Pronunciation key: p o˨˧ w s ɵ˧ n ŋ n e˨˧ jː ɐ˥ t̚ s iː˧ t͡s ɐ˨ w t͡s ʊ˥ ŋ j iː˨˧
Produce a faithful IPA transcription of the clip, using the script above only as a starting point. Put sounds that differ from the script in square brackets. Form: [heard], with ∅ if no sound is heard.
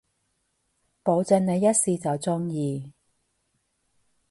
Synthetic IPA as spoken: p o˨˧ w [t͡s] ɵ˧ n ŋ n e˨˧ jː ɐ˥ t̚ s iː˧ t͡s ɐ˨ w t͡s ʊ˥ ŋ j iː˨˧